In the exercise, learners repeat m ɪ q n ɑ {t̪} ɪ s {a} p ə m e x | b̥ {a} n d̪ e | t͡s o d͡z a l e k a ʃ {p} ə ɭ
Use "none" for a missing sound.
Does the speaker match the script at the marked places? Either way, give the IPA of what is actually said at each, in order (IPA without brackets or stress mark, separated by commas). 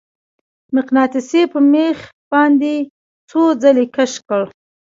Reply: t̪, e, ɑ, k